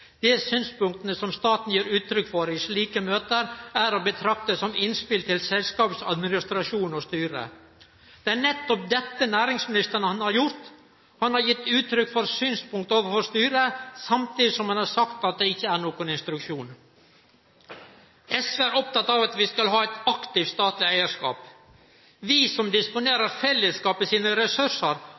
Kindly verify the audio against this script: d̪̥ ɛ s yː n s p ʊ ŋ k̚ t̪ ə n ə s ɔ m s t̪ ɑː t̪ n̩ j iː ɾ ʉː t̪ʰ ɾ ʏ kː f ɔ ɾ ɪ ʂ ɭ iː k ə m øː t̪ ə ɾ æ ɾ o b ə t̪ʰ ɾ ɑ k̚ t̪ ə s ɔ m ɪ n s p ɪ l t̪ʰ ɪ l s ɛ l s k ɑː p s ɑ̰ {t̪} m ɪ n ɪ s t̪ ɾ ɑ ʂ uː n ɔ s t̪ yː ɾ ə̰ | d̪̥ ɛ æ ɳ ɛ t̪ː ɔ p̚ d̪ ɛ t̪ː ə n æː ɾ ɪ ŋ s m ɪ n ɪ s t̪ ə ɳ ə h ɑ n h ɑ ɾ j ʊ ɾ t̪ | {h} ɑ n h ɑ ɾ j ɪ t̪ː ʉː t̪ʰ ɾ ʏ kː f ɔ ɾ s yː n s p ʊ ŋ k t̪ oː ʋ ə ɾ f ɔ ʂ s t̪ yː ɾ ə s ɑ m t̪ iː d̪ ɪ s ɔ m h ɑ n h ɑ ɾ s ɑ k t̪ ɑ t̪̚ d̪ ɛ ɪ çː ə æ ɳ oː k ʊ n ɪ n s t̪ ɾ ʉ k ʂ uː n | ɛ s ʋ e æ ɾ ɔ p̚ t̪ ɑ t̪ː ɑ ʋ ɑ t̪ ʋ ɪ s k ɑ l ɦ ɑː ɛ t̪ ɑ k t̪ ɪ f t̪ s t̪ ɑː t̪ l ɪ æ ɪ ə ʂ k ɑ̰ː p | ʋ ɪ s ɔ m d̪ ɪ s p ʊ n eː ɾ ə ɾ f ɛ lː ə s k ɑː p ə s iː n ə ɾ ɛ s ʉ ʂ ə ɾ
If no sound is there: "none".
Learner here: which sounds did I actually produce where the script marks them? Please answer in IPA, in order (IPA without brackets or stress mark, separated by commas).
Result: d̪, h